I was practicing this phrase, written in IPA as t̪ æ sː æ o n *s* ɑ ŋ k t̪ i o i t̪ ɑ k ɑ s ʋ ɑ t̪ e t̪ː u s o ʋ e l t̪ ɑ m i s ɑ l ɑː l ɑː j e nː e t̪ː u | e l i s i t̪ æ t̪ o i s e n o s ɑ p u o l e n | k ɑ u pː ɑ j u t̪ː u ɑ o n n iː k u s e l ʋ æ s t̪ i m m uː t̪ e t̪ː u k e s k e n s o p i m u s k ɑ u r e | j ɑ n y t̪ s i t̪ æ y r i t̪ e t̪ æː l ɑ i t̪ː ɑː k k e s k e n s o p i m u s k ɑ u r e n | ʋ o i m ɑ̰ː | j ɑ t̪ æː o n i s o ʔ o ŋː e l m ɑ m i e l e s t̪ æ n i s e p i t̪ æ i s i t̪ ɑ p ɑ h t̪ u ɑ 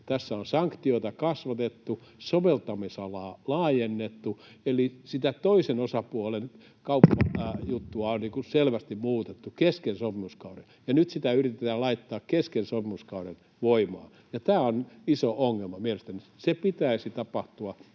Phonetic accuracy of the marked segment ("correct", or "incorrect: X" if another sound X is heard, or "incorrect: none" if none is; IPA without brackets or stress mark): correct